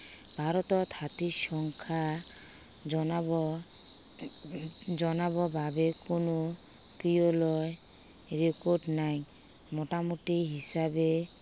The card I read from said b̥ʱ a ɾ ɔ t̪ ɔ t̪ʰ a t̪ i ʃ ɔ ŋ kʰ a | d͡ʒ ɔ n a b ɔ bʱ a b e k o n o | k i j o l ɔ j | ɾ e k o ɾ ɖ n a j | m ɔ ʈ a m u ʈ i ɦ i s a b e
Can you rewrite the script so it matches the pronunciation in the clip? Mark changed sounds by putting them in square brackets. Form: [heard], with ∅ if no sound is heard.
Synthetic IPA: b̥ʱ a ɾ ɔ t̪ ɔ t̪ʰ a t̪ i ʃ ɔ ŋ kʰ a | d͡ʒ ɔ n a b ɔ bʱ a b e k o n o | k i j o l ɔ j | ɾ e k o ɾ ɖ n a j | m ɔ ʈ a m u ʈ i ɦ i s a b e

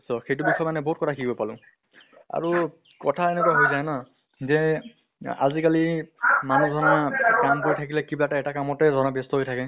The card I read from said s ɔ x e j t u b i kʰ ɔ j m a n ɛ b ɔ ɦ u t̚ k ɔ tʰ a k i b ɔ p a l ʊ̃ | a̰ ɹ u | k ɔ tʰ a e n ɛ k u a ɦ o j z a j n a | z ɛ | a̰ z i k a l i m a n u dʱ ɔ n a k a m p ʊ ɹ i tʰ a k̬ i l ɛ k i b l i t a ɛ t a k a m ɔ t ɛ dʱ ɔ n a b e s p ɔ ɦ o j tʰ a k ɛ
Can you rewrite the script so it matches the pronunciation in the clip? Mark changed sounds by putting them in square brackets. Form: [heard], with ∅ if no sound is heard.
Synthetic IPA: s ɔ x e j t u b i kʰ ɔ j m a n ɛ b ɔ ɦ u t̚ k ɔ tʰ a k i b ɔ p a l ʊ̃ | a̰ ɹ u | k ɔ tʰ a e n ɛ k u a ɦ o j z a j n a | z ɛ | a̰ z i k a l i m a n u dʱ ɔ n a k a m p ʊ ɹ i tʰ a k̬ i l ɛ k i b l [a] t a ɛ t a k a m ɔ t ɛ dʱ ɔ n a b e s [t] ɔ ɦ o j tʰ a k ɛ

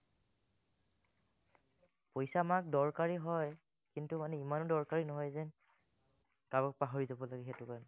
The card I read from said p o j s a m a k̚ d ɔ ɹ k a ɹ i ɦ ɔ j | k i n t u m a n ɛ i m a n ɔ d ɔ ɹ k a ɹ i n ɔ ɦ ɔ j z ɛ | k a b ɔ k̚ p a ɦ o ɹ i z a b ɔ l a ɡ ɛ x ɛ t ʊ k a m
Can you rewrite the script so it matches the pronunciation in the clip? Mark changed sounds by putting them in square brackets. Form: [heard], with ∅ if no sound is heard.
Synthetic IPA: p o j s a m a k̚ d ɔ ɹ k a ɹ i ɦ ɔ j | k i n t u m a n ɛ i m a n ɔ d ɔ ɹ k a ɹ i n ɔ ɦ ɔ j z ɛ | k a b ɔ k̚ p a ɦ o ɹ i z a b ɔ l a ɡ ɛ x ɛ t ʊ k a [n]

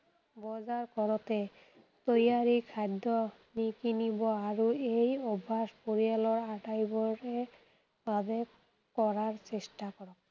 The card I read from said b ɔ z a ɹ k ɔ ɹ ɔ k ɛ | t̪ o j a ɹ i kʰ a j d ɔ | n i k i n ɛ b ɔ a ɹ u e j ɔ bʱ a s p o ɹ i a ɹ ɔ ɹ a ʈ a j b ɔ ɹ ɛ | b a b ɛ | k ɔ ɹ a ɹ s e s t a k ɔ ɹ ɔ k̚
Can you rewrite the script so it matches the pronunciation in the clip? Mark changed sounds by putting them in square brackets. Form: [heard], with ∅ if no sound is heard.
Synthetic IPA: b ɔ z a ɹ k ɔ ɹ ɔ [t] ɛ | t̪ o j a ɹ i kʰ a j d ɔ | n i k i n [i] b ɔ a ɹ u e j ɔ bʱ a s p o ɹ i a [l] ɔ ɹ a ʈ a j b ɔ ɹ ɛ | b a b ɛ | k ɔ ɹ a ɹ s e s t a k ɔ ɹ ɔ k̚

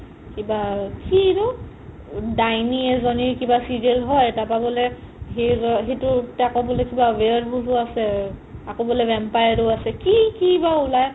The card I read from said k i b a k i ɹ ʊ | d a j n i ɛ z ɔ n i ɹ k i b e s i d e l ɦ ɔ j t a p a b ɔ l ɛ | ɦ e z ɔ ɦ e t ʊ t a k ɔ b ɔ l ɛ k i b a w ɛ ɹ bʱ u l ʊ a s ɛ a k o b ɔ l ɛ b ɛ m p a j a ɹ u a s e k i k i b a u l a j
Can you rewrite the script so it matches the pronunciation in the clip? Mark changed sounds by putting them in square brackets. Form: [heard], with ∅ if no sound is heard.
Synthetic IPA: k i b a k i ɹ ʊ | d a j n i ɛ z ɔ n i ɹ k i b [a] s i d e l ɦ ɔ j t a p a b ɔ l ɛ | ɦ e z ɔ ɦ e t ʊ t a k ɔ b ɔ l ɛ k i b a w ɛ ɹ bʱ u l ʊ a s ɛ a k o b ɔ l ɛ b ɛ m p a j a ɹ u a s [ɛ] k i k i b a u l a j

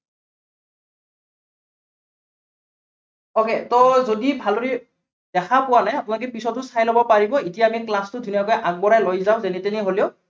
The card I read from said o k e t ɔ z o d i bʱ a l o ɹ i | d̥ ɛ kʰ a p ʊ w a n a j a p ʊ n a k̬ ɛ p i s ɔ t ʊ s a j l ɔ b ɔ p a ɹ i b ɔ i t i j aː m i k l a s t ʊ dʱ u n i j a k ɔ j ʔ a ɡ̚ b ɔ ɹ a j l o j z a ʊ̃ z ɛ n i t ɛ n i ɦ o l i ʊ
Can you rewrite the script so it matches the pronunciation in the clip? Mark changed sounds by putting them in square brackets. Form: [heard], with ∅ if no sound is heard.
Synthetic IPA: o k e t ɔ z o d i bʱ a l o ɹ i | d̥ ɛ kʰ a p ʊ w a n a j a p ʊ n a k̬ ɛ p i s ɔ t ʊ s a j l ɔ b ɔ p a ɹ i b ɔ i t i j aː m i k l a s t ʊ dʱ u n i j a k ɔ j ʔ a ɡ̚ b ɔ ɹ a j l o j z a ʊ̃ z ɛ n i t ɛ n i ɦ o l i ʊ

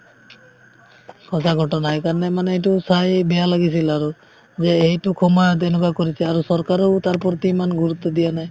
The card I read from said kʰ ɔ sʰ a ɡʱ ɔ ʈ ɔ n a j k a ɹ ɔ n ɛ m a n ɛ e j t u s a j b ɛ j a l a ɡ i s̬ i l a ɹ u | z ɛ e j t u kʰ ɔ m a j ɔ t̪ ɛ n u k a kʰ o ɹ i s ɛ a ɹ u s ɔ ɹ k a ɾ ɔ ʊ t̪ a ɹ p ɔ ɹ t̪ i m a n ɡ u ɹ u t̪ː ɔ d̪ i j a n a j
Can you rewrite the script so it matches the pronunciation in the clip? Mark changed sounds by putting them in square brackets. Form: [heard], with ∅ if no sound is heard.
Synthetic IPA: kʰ ɔ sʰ a ɡʱ ɔ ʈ ɔ n a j k a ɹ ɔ n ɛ m a n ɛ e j t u s a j b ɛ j a l a ɡ i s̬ i l a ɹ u | z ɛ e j t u kʰ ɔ m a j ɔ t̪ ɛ n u k a [k] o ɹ i s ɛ a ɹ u s ɔ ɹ k a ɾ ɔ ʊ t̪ a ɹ p ɔ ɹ t̪ i m a n ɡ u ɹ u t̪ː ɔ d̪ i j a n a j

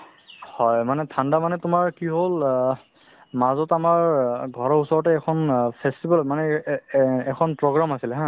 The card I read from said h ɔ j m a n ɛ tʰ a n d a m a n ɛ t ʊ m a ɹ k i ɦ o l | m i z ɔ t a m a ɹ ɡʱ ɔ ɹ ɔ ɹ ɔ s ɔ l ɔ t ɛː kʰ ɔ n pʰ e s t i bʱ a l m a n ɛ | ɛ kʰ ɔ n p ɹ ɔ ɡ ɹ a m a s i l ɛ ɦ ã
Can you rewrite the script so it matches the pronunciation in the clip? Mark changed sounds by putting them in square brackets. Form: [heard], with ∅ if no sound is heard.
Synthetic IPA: h ɔ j m a n ɛ tʰ a n d a m a n ɛ t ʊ m a ɹ k i ɦ o l | m [a] z ɔ t a m a ɹ ɡʱ ɔ ɹ ɔ ɹ [u] s ɔ [ɹ] ɔ t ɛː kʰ ɔ n pʰ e s t i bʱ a l m a n ɛ | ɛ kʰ ɔ n p ɹ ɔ ɡ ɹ a m a s i l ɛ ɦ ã

